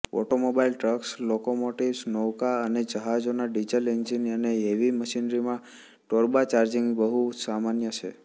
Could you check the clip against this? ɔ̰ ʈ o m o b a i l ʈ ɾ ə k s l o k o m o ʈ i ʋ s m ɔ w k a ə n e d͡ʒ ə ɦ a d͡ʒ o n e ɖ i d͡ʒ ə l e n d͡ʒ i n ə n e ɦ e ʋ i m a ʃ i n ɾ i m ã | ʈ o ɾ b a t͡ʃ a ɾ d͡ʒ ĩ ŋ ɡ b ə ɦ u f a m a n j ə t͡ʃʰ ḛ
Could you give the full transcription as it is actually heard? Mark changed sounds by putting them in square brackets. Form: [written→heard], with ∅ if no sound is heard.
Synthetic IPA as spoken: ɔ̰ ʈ o m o b a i l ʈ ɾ ə k s l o k o m o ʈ i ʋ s [m→n] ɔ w k a ə n e d͡ʒ ə ɦ a d͡ʒ o n [e→a] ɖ i d͡ʒ ə l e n d͡ʒ i n ə n e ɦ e ʋ i m [a→ə] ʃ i n ɾ i m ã | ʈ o ɾ b a t͡ʃ a ɾ d͡ʒ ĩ ŋ ɡ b ə ɦ u [f→s] a m a n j ə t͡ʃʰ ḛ